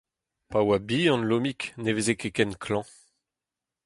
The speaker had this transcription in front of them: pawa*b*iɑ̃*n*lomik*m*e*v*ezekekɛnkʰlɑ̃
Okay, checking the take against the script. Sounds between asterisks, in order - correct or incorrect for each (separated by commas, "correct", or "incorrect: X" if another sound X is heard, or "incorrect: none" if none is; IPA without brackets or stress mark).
correct, correct, incorrect: n, correct